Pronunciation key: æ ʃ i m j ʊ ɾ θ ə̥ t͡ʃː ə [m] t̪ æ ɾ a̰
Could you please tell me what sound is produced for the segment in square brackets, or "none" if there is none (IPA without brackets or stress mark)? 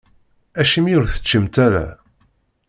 m